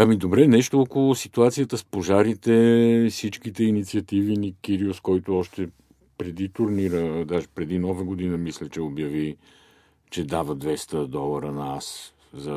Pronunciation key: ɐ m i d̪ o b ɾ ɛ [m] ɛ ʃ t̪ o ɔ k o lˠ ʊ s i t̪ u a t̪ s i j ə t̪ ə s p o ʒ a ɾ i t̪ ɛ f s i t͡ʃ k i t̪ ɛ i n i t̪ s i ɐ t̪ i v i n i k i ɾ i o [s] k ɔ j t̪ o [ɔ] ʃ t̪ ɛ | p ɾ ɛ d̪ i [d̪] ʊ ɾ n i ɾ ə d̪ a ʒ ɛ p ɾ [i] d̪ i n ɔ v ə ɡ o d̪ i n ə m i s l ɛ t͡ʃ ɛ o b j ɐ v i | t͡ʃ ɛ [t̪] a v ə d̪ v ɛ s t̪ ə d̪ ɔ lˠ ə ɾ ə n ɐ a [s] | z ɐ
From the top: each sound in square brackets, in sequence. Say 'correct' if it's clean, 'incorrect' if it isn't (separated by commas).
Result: incorrect, correct, correct, incorrect, incorrect, incorrect, correct